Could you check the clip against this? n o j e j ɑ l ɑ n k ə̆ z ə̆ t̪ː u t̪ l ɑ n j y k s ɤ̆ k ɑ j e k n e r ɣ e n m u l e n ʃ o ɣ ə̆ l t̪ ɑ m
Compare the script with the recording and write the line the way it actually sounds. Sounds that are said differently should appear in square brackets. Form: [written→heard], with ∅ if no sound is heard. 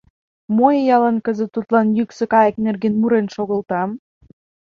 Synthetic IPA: [n→m] o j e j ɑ l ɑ n k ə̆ z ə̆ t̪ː u t̪ l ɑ n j y k s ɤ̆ k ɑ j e k n e r ɣ e n m u [l→ɾ] e n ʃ o ɣ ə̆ l t̪ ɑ m